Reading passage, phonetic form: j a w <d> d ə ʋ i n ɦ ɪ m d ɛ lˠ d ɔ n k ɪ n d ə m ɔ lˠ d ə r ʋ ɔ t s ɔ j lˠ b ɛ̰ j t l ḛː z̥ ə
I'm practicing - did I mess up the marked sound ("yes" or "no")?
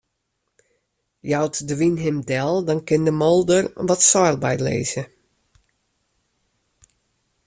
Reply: yes